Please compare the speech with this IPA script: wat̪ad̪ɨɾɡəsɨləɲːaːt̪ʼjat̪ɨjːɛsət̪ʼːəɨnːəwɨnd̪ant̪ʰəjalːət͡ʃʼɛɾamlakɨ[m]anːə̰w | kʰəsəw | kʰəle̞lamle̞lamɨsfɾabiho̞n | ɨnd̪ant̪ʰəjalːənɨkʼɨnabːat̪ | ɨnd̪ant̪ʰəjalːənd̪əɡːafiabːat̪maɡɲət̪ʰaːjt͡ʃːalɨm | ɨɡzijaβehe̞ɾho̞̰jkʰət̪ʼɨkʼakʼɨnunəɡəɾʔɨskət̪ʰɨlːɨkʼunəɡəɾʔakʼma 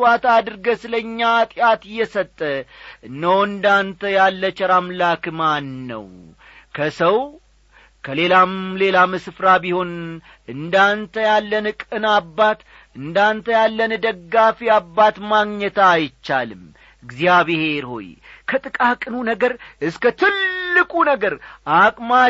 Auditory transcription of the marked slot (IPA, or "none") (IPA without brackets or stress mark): m